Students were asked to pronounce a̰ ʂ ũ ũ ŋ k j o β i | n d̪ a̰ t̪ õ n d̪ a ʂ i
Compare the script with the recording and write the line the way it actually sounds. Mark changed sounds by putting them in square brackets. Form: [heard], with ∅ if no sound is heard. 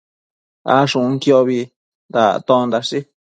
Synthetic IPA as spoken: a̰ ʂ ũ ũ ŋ k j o β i | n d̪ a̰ t̪ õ n d̪ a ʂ i